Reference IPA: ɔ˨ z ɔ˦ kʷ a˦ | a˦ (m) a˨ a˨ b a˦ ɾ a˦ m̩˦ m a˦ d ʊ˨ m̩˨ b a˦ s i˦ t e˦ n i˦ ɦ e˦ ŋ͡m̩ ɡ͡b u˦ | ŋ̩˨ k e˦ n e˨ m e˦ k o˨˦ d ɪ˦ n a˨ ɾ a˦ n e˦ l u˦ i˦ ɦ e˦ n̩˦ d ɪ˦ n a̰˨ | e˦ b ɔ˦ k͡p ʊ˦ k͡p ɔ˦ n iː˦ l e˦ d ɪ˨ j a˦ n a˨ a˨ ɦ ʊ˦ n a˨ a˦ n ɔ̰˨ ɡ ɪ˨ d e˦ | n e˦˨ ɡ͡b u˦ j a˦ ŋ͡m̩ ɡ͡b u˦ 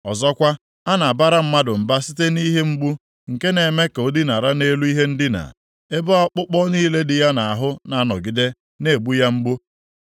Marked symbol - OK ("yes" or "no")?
no